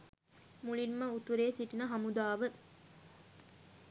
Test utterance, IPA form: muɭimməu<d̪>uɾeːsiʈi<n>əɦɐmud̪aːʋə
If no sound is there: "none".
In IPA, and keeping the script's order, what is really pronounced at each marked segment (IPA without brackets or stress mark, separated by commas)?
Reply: t̪, n